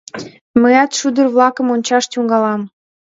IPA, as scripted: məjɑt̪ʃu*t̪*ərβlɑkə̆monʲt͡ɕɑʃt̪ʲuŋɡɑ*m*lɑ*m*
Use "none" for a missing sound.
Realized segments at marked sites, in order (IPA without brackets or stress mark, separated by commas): d̪, none, m